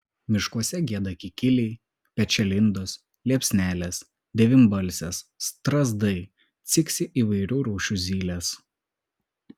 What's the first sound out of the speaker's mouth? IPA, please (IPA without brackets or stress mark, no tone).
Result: mʲ